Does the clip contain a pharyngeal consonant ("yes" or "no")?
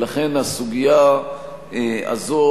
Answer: no